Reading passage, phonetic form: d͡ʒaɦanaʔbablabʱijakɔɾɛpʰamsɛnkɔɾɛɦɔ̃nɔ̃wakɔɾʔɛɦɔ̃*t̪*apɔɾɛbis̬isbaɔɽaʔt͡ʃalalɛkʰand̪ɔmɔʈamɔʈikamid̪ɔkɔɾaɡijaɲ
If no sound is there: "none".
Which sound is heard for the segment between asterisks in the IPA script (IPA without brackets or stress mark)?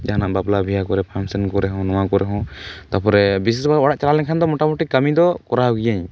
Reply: t̪